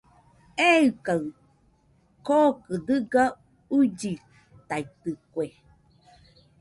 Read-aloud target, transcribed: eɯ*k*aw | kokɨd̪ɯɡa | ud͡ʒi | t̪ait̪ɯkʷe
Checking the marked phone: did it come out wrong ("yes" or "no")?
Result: no